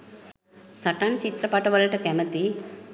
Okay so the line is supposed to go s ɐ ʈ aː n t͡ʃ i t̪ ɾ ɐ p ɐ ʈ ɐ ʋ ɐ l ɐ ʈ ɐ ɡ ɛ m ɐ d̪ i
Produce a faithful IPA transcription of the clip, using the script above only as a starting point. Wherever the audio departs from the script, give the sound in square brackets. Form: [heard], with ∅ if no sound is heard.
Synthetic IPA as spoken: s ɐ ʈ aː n t͡ʃ i t̪ ɾ ɐ p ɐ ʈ ɐ ʋ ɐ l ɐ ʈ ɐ [k] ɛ m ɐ [t̪] i

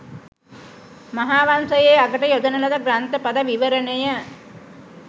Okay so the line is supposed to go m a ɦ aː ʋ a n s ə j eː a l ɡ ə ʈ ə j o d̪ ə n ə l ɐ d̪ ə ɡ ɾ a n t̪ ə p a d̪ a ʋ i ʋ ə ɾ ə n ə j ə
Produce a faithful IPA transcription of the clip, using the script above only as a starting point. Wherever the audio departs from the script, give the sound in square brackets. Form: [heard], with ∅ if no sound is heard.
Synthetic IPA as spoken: m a ɦ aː ʋ a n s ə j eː a [∅] ɡ ə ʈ ə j o d̪ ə n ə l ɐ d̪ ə ɡ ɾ a n t̪ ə p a d̪ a ʋ i ʋ ə ɾ ə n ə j ə

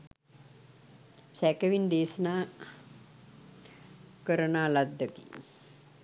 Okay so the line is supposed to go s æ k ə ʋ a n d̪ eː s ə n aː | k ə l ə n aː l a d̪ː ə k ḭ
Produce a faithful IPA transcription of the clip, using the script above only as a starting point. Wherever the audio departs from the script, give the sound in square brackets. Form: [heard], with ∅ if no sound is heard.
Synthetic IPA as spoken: s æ k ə ʋ [i] n d̪ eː s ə n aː | k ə [ɾ] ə n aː l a d̪ː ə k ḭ

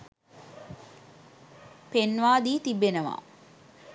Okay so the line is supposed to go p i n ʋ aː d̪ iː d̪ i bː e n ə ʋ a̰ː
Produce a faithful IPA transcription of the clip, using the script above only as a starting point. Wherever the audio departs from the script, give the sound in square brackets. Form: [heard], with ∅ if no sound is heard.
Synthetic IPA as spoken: p [e] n ʋ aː d̪ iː [t̪] i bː e n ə ʋ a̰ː

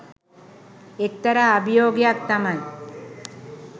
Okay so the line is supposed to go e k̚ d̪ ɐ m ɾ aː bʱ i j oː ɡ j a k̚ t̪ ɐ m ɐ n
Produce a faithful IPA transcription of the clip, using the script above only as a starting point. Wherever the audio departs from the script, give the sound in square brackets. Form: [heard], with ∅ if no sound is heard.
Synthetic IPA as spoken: e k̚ [t̪] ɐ [∅] ɾ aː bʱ i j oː ɡ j a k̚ t̪ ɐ m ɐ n

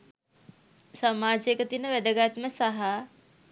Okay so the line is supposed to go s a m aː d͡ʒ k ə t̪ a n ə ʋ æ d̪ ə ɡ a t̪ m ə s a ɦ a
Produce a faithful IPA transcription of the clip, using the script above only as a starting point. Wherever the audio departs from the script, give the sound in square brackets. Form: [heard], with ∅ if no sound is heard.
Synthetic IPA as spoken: s a m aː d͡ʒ k ə t̪ [i] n ə ʋ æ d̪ ə ɡ a t̪ m ə s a ɦ a

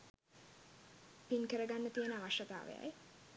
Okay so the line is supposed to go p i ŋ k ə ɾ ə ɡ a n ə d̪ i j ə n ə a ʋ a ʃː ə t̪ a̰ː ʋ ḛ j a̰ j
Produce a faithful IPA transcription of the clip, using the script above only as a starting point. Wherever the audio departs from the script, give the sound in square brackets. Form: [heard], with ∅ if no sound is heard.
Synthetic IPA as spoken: p i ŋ k ə ɾ ə ɡ a [nː] ə [t̪] i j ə n ə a ʋ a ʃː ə t̪ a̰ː ʋ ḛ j a̰ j

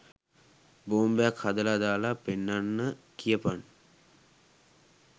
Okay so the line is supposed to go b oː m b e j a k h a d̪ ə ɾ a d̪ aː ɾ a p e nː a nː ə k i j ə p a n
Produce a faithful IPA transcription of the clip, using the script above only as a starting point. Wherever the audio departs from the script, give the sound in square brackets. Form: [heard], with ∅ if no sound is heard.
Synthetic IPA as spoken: b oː m b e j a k h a d̪ ə [l] a d̪ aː [l] a p e nː a nː ə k i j ə p a n

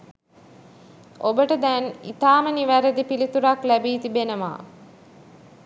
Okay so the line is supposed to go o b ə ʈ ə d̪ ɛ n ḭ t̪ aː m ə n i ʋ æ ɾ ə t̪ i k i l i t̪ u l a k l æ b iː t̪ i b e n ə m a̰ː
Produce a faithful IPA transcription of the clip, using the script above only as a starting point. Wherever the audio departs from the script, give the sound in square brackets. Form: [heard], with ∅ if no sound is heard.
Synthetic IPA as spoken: o b ə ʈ ə d̪ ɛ n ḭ t̪ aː m ə n i ʋ æ ɾ ə [d̪] i [p] i l i t̪ u [ɾ] a k l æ b iː t̪ i b e n ə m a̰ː

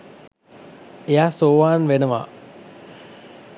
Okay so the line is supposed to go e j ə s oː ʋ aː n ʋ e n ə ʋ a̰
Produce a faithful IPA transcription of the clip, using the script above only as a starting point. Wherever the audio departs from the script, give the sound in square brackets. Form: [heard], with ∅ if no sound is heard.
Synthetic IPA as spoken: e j [a] s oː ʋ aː n ʋ e n ə ʋ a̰

